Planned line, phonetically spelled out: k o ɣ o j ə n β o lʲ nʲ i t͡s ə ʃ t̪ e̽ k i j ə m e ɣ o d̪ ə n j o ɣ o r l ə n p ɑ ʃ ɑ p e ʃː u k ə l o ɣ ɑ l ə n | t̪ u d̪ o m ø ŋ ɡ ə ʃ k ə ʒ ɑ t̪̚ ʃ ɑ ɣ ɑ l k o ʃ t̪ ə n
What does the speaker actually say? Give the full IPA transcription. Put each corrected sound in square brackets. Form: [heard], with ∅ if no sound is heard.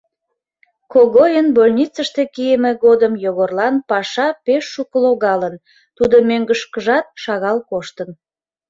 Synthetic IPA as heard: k o ɣ o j ə n [b] o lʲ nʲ i t͡s ə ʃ t̪ e̽ k i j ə m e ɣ o d̪ ə [m] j o ɣ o r l [ɑ] n p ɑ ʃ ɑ p e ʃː u k ə l o ɣ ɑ l ə n | t̪ u d̪ o m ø ŋ ɡ ə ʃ k ə ʒ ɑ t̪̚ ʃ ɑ ɣ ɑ l k o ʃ t̪ ə n